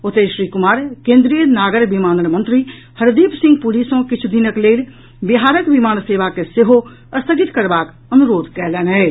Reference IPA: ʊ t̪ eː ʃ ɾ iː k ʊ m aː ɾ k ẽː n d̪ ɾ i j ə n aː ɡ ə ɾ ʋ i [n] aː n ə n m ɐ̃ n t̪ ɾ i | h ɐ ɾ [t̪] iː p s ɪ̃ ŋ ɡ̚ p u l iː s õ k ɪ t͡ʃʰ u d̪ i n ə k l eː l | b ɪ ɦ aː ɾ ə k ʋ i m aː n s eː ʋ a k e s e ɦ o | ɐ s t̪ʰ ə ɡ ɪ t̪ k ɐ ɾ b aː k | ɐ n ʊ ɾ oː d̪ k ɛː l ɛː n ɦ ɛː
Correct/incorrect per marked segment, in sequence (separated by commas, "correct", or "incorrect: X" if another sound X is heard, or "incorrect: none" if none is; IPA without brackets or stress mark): incorrect: m, incorrect: d̪